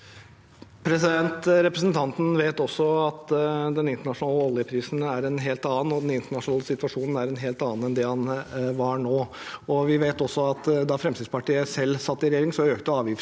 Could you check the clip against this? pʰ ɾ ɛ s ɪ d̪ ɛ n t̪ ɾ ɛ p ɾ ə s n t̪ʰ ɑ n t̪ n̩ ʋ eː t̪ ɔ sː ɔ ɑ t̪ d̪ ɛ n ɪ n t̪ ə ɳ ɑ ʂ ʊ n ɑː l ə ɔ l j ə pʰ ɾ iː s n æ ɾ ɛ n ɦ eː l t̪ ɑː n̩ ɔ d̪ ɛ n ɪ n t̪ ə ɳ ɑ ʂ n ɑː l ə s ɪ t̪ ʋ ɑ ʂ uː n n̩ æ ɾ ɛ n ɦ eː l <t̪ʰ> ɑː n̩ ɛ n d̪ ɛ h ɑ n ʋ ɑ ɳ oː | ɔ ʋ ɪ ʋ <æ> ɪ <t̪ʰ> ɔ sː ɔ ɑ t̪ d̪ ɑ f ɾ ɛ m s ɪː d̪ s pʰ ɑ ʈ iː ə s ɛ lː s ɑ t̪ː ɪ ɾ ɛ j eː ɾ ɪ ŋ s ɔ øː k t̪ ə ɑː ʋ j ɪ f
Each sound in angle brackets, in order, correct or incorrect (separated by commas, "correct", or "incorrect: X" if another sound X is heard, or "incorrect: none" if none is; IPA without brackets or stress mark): incorrect: t̪, incorrect: e, incorrect: t̪